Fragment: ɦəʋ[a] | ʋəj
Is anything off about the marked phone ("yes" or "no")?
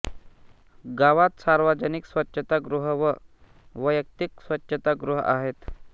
yes